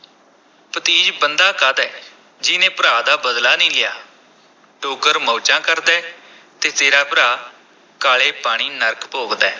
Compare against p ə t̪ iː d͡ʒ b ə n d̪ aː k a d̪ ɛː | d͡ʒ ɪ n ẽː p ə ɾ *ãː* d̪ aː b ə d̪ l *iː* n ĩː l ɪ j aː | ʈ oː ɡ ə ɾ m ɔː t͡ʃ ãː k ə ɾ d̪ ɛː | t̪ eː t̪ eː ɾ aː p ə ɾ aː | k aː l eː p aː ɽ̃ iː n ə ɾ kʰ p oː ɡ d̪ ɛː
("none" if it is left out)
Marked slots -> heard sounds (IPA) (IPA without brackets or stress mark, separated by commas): aː, aː